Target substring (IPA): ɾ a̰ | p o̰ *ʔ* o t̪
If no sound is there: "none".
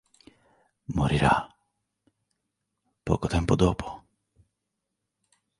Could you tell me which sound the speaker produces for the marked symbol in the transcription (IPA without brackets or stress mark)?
k